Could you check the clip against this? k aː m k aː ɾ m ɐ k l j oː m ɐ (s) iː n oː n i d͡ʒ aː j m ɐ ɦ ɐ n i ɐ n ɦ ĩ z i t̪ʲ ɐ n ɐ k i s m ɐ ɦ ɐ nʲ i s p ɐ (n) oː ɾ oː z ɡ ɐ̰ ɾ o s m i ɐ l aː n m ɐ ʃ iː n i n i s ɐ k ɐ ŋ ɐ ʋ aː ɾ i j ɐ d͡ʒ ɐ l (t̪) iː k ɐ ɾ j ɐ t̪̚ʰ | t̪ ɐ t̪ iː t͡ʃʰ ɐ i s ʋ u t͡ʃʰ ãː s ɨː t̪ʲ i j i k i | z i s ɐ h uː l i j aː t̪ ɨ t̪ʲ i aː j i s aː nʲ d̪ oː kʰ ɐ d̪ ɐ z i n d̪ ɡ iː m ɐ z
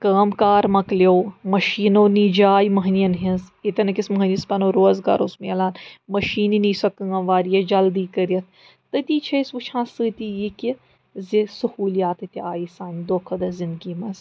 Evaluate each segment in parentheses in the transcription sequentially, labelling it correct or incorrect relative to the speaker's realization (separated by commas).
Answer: incorrect, correct, incorrect